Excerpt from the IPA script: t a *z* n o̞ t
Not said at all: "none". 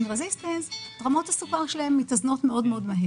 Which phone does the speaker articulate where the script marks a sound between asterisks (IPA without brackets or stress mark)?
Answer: z